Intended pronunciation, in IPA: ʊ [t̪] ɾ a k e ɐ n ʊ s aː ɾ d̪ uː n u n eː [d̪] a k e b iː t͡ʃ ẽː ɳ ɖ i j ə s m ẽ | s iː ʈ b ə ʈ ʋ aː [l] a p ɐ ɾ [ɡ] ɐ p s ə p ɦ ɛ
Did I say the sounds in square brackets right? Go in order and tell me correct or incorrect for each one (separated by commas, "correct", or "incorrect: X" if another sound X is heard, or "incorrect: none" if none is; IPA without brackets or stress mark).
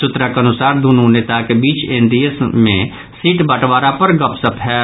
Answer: correct, incorrect: t̪, incorrect: ɾ, correct